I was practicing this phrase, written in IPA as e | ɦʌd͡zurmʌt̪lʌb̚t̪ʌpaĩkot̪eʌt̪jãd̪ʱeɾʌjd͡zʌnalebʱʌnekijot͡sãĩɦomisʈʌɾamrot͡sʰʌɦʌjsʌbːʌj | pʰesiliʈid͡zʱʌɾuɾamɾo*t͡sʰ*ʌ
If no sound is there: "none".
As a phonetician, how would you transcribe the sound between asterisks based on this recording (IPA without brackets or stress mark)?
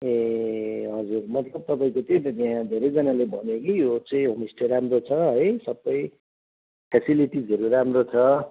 t͡sʰ